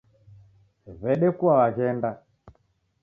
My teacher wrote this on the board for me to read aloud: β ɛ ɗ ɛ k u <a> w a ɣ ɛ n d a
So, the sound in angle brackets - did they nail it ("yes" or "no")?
yes